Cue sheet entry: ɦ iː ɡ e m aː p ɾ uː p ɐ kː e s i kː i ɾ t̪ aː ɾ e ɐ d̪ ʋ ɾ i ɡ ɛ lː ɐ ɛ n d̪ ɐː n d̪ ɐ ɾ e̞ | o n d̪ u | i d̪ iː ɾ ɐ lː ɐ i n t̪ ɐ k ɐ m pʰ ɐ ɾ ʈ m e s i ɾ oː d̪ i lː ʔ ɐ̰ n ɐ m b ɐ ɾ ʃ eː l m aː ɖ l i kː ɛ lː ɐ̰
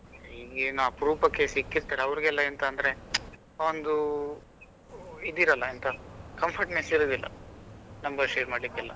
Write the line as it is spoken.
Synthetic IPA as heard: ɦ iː ɡ e n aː p ɾ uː p ɐ kː e s i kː i ɾ t̪ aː ɾ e ɐ ʋ ɾ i ɡ ɛ lː ɐ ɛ n t̪ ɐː n d̪ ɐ ɾ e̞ | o n d̪ u | i d̪ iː ɾ ɐ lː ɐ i n t̪ ɐ k ɐ m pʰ ɐ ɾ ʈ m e s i ɾ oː d̪ i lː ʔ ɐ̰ n ɐ m b ɐ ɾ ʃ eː ɾ m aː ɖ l i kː ɛ lː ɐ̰